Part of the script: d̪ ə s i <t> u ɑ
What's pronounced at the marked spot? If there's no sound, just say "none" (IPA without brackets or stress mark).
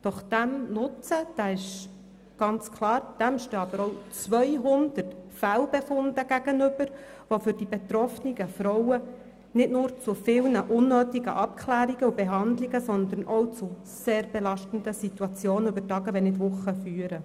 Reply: t